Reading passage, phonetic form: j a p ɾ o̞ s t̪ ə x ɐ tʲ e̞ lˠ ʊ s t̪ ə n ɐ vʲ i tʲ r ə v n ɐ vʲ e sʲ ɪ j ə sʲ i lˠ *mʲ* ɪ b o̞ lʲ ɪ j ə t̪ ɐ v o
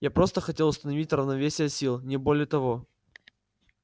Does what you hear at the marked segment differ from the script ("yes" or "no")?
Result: yes